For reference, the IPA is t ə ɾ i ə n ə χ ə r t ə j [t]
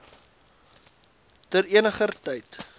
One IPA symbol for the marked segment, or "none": t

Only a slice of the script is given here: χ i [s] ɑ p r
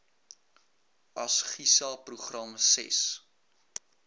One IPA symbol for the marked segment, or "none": s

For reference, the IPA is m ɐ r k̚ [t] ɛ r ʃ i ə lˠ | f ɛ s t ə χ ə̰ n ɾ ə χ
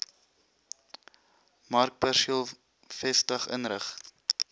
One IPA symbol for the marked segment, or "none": p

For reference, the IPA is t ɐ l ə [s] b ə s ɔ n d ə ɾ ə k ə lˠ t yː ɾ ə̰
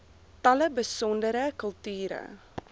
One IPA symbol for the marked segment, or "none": none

